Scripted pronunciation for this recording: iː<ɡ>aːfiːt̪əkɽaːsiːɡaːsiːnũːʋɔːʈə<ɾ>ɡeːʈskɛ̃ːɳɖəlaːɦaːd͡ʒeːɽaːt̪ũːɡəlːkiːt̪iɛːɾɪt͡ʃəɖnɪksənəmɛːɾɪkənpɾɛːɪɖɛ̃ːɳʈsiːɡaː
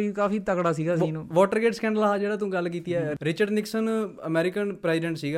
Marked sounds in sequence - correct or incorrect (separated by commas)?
incorrect, correct